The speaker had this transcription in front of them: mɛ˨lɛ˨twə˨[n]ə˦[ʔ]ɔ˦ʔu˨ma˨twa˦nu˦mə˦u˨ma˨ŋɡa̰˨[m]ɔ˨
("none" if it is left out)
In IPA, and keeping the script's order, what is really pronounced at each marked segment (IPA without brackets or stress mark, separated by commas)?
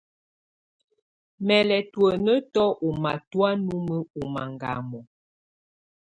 n, t, m